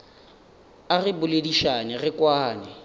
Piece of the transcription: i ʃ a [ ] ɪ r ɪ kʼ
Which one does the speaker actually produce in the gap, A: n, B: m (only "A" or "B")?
A